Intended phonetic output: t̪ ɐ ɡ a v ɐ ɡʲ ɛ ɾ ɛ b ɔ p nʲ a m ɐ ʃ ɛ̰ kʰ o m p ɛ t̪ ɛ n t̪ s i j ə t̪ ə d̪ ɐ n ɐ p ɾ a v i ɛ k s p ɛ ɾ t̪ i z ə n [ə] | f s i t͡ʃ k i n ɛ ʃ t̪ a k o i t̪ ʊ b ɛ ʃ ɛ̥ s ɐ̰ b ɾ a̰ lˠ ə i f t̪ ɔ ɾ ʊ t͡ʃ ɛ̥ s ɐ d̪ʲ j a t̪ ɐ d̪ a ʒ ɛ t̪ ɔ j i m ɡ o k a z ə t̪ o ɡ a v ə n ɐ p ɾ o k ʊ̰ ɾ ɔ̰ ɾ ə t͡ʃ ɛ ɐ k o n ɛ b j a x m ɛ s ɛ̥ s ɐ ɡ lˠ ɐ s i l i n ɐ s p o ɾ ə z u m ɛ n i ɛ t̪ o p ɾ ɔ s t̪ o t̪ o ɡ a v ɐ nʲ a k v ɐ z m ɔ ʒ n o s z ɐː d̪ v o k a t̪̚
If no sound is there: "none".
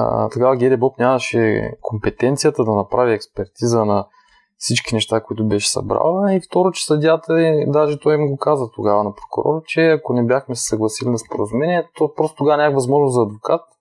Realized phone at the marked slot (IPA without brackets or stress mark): ɐ